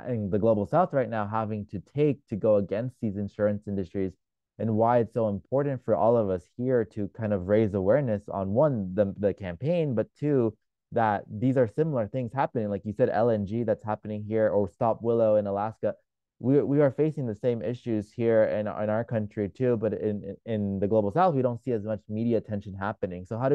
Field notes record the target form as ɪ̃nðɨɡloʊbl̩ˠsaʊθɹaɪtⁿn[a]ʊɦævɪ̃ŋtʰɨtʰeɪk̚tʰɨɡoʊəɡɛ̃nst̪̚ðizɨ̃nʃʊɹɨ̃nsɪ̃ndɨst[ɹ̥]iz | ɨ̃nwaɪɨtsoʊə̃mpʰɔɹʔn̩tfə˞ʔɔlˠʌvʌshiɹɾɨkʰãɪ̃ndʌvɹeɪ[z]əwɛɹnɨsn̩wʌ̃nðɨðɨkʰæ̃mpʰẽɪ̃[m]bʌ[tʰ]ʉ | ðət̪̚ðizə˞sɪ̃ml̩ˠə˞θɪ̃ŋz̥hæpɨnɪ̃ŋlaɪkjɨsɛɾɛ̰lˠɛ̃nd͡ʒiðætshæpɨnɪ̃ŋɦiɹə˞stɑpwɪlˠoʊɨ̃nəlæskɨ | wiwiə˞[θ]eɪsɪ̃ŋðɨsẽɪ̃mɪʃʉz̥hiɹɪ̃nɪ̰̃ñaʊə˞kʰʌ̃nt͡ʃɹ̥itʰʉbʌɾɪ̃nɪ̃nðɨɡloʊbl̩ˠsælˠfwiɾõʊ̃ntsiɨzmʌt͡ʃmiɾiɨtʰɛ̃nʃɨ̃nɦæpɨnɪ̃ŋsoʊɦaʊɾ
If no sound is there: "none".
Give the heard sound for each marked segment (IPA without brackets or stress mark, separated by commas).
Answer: a, ɹ̥, z, n, tʰ, f